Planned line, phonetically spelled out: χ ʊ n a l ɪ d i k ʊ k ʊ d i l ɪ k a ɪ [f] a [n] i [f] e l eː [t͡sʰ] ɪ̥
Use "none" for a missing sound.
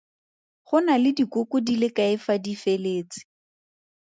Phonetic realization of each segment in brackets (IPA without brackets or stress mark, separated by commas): f, d, f, t͡s